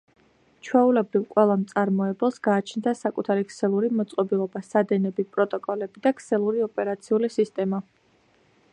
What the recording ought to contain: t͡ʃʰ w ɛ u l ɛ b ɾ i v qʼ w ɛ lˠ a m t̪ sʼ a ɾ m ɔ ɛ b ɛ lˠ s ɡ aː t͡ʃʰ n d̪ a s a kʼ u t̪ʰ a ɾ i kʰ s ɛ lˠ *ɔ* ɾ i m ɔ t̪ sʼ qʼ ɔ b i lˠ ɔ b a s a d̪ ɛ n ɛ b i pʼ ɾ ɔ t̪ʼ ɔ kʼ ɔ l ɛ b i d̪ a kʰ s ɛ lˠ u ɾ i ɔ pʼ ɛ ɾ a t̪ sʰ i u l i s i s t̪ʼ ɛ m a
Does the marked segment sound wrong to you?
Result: yes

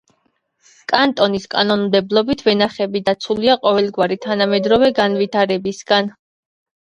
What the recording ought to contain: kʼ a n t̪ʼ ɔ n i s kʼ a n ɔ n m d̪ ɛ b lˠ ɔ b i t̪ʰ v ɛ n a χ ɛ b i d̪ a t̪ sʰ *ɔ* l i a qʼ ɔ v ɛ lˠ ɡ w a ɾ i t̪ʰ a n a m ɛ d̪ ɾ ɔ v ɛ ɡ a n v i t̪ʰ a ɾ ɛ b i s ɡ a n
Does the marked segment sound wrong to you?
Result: yes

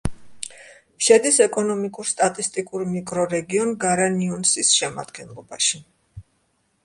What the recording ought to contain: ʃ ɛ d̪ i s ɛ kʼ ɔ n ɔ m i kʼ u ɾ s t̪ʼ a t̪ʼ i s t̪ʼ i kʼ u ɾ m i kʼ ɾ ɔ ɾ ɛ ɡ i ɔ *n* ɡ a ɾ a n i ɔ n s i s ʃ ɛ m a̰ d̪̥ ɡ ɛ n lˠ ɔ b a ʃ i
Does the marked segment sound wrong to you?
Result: no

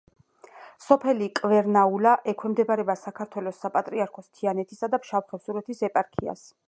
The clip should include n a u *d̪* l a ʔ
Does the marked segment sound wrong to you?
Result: yes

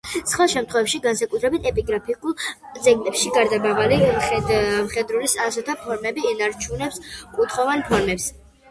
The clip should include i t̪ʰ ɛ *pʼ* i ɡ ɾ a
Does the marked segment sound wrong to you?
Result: no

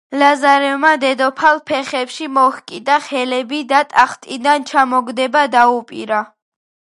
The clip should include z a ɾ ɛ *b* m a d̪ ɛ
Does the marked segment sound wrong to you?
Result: yes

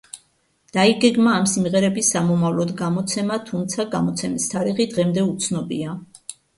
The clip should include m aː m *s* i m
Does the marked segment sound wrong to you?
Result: no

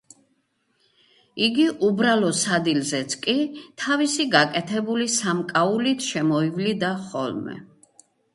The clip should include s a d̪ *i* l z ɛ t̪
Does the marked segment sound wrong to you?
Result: no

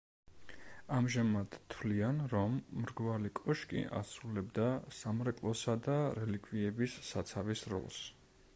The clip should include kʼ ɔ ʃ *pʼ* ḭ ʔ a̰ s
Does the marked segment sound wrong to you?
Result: yes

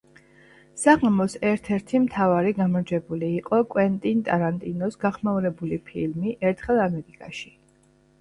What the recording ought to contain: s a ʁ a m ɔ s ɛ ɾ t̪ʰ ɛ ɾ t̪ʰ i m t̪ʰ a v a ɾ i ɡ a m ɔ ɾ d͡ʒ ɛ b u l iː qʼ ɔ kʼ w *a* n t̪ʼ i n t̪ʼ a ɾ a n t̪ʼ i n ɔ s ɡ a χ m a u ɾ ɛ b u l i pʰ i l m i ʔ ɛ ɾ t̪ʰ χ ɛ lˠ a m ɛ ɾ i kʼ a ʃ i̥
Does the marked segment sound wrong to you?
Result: yes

